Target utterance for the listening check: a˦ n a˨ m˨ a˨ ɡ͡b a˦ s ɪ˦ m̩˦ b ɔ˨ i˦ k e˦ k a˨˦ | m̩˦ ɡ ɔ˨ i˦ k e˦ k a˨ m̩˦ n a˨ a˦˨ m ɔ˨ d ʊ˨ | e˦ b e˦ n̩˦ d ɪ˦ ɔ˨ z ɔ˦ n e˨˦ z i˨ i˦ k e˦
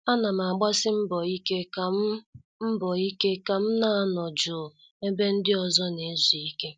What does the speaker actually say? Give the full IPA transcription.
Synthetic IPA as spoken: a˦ n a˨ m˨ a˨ ɡ͡b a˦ s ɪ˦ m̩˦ b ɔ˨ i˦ k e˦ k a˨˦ | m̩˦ b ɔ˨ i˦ k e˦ k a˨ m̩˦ n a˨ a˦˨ n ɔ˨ d͡ʒ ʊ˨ | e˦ b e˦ n̩˦ d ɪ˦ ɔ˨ z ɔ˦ n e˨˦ z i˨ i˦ k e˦